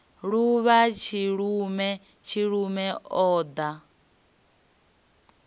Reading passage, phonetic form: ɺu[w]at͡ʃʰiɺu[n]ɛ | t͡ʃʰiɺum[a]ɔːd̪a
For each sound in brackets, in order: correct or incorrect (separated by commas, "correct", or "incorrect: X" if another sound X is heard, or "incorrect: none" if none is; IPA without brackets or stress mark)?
incorrect: β, incorrect: m, incorrect: ɛ